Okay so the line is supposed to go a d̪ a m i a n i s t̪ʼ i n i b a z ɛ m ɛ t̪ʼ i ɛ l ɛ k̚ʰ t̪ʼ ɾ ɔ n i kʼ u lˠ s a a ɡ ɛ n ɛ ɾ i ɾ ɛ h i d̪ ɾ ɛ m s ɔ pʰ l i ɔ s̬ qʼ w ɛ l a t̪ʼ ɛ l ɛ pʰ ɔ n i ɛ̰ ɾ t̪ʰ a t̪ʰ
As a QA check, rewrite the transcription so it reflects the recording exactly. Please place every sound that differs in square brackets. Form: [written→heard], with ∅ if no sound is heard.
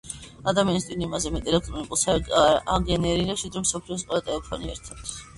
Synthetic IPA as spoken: a d̪ a m i a n i s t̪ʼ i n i [b→m] a z ɛ m ɛ t̪ʼ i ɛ l ɛ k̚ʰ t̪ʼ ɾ ɔ n i kʼ u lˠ s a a ɡ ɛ n ɛ ɾ i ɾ ɛ [h→ʃ] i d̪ ɾ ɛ m s ɔ pʰ l i ɔ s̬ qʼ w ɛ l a t̪ʼ ɛ l ɛ pʰ ɔ n i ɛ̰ ɾ t̪ʰ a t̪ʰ